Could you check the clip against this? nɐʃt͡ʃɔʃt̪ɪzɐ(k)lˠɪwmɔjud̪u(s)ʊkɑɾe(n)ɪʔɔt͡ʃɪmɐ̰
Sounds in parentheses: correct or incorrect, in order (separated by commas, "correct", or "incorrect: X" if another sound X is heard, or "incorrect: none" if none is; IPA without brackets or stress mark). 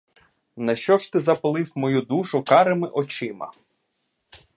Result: incorrect: p, incorrect: ʃ, incorrect: m